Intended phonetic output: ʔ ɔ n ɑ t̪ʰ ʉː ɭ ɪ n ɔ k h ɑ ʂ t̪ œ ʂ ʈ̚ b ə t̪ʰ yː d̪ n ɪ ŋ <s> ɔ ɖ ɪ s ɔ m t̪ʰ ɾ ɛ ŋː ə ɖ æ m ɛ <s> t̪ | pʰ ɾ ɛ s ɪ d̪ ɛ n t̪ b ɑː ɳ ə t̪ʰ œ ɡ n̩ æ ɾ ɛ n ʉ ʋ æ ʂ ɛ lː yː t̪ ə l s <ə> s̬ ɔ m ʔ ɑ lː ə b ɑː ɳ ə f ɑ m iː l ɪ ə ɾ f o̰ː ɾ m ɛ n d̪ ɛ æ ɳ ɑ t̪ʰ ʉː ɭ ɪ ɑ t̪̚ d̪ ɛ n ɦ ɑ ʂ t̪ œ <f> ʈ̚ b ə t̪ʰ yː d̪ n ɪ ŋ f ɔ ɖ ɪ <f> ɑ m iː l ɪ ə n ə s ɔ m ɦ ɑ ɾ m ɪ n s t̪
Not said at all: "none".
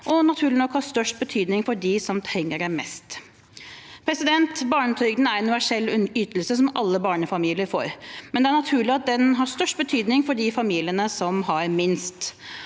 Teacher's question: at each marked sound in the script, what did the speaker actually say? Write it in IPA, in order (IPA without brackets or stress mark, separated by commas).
f, s, ə, ʂ, f